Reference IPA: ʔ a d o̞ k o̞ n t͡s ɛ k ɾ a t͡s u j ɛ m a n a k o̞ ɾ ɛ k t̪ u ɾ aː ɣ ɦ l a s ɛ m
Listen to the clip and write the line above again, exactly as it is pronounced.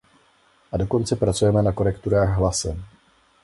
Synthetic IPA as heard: ʔ a d o̞ k o̞ n t͡s ɛ p ɾ a t͡s u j ɛ m ɛ n a k o̞ ɾ ɛ k t̪ u ɾ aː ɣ ɦ l a s ɛ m